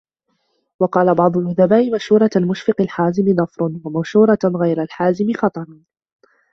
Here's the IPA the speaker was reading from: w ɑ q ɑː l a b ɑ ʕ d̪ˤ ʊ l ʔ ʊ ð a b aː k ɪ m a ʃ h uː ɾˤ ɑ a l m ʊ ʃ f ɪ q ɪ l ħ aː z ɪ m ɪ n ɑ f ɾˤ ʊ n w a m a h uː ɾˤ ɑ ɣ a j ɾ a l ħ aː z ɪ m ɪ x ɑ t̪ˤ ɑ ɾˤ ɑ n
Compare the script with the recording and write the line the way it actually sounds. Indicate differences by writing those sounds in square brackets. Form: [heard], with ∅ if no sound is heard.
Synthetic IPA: w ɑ q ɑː l a b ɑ ʕ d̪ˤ ʊ l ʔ ʊ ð a b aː [ʔ] ɪ m a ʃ h uː ɾˤ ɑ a l m ʊ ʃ f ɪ q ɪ l ħ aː z ɪ m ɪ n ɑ f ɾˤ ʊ n w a m a [ʃ] uː ɾˤ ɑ ɣ a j ɾ a l ħ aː z ɪ m ɪ x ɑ t̪ˤ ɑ ɾˤ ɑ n